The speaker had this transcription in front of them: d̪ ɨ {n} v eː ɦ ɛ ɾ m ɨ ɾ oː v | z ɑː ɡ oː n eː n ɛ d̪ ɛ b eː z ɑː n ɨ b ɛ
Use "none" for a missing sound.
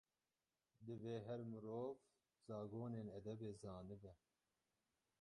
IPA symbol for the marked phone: none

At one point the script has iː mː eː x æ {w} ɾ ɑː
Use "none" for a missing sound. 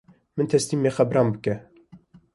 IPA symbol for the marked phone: b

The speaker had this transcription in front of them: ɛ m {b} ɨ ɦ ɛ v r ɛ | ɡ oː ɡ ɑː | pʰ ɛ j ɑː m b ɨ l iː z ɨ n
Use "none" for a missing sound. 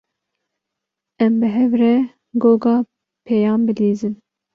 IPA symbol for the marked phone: b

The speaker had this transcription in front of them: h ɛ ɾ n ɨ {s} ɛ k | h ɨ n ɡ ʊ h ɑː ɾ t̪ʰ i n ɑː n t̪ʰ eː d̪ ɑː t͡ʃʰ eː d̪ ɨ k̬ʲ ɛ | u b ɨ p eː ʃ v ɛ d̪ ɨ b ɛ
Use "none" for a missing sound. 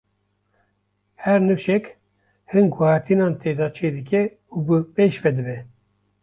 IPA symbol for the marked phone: ʃ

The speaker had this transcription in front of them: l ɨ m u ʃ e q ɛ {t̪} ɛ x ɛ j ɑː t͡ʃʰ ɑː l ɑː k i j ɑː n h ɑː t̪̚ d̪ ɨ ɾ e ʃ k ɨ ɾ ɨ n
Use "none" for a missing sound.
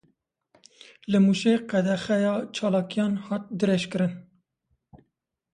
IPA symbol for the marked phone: d̪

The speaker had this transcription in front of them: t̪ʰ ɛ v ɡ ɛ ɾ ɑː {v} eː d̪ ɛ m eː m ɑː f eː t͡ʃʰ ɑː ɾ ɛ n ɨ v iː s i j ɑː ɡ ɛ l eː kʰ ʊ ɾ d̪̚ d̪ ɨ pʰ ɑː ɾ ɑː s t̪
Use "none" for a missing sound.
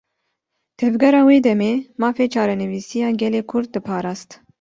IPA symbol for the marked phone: w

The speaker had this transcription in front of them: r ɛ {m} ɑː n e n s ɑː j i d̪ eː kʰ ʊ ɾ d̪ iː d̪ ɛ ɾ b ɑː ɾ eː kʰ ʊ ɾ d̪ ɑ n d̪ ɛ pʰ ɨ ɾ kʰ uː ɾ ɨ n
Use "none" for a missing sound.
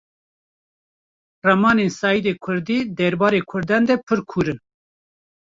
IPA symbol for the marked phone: m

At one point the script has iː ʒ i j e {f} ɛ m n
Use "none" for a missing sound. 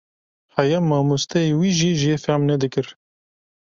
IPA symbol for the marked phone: f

